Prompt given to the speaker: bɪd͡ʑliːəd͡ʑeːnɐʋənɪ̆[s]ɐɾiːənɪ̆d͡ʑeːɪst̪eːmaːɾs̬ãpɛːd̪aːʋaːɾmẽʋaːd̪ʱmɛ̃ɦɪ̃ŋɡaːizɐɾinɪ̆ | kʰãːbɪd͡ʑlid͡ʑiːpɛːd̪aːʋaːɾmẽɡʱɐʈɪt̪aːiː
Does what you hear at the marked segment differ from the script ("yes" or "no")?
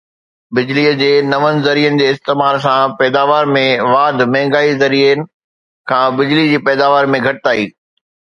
yes